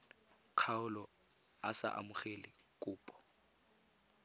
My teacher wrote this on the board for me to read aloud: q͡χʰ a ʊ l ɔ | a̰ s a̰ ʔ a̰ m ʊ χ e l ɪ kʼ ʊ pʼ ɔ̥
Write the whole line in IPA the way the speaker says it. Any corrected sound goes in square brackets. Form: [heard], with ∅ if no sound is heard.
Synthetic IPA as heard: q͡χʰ a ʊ l ɔ | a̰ s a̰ ʔ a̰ m ʊ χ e l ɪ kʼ [ʊː] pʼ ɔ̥

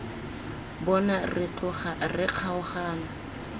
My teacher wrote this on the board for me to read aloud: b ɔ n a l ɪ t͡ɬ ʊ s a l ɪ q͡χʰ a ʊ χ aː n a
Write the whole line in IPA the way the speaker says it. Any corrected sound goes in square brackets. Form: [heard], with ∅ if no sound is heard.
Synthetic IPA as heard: b ɔ n a [r] ɪ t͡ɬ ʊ [χ] a [r] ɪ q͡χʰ a ʊ χ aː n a

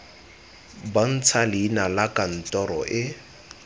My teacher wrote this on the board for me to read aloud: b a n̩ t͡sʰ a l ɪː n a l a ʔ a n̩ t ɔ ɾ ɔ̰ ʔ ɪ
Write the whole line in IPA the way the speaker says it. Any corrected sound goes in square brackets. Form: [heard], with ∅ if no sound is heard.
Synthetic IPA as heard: b a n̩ t͡sʰ a l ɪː n a l a [k] a n̩ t ɔ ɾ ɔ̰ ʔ ɪ

